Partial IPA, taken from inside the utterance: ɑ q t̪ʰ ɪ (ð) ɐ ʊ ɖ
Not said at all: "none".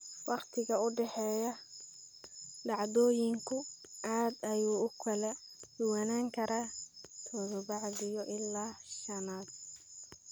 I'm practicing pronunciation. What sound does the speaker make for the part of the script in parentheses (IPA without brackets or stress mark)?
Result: ɣ